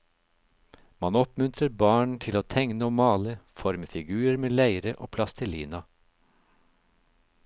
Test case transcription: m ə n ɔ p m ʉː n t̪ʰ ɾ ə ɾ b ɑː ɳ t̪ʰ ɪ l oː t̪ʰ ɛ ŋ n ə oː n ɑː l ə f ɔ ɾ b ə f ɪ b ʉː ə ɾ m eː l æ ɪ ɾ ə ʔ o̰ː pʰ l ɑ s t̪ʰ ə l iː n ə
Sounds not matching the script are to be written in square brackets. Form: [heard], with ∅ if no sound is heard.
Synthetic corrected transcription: m [ɑ] n ɔ p m [ʉ] n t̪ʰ ɾ ə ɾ b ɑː ɳ t̪ʰ ɪ l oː t̪ʰ ɛ ŋ n ə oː [m] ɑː l ə f ɔ ɾ [m] ə f ɪ [ɡ] ʉː ə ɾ m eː l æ ɪ ɾ ə ʔ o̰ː pʰ l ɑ s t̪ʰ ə l iː n [ɑ]